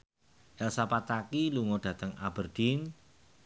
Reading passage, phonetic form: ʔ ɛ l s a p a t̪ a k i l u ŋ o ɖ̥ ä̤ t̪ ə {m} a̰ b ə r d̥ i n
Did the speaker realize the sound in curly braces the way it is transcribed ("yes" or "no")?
no